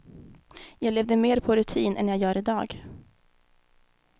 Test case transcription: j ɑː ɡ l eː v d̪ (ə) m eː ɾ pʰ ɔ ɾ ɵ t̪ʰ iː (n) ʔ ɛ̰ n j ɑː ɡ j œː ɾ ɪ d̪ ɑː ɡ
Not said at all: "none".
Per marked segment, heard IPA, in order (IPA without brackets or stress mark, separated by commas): ə, n